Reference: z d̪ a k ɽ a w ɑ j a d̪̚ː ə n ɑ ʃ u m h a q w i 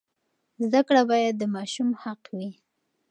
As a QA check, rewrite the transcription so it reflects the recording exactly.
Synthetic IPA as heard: z d̪ a k ɽ a b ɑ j a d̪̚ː ə m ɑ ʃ u m h a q w i